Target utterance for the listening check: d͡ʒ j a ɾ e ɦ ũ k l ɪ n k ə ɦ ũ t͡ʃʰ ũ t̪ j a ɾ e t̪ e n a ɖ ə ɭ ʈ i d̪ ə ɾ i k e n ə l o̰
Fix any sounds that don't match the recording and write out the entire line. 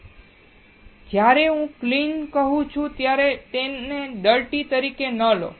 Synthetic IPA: d͡ʒ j a ɾ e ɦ ũ k l i n k ə ɦ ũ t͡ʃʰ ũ t̪ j a ɾ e t̪ e n e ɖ ə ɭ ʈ i t̪ ə ɾ i k e n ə l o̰